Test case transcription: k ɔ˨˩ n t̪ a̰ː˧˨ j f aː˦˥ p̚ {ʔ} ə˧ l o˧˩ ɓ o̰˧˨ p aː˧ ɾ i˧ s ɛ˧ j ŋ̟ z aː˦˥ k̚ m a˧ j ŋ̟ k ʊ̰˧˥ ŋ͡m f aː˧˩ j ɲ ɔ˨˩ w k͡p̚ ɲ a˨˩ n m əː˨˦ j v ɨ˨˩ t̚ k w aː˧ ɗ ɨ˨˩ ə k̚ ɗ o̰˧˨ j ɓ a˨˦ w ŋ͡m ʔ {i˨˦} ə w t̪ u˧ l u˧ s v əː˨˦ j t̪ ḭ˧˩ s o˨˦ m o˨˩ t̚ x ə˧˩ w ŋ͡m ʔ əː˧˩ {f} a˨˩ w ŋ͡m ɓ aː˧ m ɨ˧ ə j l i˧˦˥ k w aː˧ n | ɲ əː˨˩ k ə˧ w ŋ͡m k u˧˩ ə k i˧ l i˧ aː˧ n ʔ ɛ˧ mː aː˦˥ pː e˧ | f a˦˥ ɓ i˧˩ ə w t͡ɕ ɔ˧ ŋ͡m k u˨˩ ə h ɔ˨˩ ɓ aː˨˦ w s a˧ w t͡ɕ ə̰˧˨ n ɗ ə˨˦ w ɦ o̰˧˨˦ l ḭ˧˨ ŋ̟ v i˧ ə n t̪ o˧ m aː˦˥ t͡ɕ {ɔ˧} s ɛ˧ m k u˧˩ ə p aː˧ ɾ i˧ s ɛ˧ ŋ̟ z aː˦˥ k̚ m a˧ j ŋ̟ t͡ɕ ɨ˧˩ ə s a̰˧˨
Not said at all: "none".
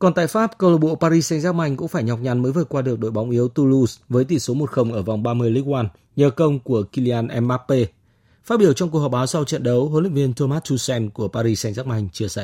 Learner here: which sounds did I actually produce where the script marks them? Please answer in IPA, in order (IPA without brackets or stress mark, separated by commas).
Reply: k, i˨˦, v, u˧